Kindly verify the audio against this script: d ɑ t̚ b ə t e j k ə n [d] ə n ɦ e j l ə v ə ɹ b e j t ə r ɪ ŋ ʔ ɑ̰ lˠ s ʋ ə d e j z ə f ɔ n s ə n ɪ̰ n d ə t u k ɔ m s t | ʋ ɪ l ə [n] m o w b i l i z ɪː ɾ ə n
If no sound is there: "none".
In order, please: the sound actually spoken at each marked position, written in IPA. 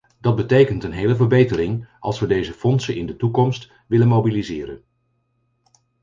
t, n

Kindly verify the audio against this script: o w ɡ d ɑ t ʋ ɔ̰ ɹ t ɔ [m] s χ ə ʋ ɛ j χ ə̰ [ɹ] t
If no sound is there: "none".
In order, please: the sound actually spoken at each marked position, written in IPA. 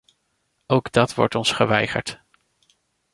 n, ɹ

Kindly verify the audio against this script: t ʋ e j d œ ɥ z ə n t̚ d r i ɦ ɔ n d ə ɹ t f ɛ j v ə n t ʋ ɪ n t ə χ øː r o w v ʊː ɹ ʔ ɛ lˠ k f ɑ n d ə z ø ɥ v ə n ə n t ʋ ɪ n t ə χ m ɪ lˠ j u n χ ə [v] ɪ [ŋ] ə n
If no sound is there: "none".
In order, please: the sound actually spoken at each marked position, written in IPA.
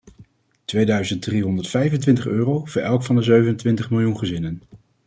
z, n

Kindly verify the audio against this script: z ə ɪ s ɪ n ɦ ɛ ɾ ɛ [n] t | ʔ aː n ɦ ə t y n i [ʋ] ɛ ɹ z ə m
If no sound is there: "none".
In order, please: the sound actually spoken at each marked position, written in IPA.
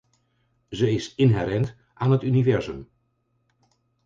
n, v

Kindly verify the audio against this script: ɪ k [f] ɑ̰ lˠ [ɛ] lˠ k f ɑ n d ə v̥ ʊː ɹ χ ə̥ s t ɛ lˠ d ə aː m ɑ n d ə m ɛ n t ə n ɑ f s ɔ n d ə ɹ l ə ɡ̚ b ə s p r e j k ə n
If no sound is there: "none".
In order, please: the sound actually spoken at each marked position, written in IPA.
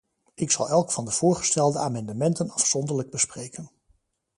s, ɛ

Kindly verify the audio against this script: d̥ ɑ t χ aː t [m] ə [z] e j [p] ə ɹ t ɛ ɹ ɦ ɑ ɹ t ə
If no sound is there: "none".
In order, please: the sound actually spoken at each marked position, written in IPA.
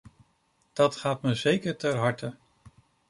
m, z, k

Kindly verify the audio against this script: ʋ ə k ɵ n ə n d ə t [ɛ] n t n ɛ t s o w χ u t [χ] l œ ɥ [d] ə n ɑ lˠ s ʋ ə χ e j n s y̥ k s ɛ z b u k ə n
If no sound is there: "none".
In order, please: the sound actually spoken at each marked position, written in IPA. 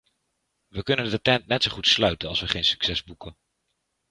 ɛ, s, t

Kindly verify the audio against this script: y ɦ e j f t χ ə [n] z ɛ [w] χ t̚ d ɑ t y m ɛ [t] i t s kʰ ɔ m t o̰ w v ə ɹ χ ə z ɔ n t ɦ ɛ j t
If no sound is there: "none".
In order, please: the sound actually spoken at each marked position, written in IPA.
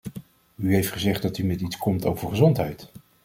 none, none, t

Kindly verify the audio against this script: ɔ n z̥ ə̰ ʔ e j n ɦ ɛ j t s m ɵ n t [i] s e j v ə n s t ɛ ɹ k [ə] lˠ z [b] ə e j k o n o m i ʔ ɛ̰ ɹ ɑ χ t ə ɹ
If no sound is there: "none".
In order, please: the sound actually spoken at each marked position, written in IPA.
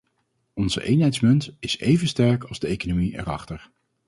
ɪ, ɑ, d

